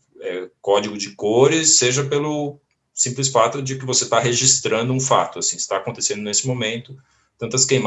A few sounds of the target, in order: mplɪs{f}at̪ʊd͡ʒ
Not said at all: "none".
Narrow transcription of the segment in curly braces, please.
f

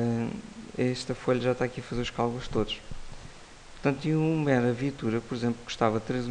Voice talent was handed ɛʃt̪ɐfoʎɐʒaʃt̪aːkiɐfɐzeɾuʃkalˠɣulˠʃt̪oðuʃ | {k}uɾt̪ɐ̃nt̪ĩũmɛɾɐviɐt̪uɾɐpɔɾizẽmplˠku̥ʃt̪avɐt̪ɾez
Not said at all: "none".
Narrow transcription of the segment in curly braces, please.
p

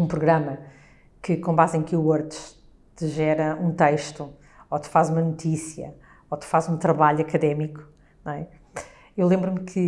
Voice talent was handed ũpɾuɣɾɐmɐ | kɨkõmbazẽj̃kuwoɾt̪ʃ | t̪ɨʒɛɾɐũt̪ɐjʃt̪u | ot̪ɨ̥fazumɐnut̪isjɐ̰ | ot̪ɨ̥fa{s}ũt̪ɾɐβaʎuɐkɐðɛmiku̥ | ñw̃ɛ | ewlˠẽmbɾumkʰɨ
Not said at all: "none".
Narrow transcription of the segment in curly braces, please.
z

